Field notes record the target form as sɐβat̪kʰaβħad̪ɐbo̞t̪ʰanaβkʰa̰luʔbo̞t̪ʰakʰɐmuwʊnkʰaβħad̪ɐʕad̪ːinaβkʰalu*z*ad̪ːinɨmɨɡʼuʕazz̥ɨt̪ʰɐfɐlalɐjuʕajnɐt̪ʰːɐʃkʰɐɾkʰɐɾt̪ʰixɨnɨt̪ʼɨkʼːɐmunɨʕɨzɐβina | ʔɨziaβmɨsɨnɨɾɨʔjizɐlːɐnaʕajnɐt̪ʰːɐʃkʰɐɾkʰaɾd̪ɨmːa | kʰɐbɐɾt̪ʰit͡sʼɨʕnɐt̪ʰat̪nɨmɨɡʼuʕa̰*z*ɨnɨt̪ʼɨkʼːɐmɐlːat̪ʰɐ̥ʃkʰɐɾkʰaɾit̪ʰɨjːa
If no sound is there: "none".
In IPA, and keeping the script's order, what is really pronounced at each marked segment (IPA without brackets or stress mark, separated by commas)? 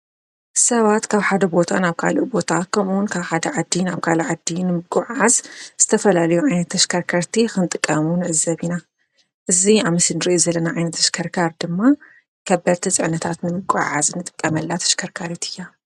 ʕ, z